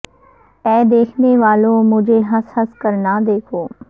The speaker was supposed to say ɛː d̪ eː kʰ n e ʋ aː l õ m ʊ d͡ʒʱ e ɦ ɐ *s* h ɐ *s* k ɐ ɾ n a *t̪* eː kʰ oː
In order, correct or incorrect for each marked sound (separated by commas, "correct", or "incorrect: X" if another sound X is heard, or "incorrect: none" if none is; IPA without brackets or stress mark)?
correct, correct, incorrect: d̪